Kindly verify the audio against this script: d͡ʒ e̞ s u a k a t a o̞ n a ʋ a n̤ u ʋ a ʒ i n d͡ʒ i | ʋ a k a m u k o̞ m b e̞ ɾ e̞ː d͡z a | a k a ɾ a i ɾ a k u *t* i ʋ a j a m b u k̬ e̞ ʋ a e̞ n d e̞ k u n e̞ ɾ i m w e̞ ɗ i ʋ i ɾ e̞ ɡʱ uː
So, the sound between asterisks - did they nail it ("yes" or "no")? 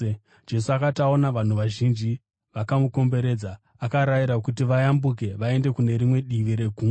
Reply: yes